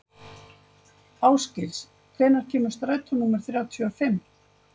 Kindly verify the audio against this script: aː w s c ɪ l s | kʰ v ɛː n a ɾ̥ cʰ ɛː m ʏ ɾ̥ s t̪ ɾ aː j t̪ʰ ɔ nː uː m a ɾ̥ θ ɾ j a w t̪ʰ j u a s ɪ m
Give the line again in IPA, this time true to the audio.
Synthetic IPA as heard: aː w s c ɪ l s | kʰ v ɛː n a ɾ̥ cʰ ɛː m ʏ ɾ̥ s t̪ ɾ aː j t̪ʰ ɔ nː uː m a ɾ̥ θ ɾ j a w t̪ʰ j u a f ɪ m